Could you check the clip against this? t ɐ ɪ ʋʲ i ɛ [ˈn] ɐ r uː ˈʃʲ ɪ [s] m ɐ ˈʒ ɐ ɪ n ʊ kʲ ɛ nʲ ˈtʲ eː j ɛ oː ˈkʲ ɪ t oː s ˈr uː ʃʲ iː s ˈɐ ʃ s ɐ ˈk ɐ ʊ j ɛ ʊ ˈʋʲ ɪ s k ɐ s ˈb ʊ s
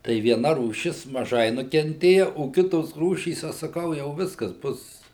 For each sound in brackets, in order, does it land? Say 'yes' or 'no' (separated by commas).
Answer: yes, yes